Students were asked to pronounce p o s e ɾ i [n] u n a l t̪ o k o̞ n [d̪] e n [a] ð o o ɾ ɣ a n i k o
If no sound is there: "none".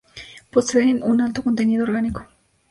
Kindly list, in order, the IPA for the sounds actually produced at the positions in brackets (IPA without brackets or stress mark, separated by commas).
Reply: n, t̪, i